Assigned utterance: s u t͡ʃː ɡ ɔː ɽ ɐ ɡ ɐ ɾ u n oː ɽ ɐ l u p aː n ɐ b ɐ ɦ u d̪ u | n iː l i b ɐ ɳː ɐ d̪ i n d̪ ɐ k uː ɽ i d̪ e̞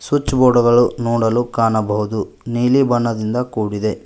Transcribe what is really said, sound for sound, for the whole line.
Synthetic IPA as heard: s u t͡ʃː b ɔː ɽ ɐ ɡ ɐ ɭ u n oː ɽ ɐ l u k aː n ɐ b ɐ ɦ u d̪ u | n iː l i b ɐ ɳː ɐ d̪ i n d̪ ɐ k uː ɽ i d̪ e̞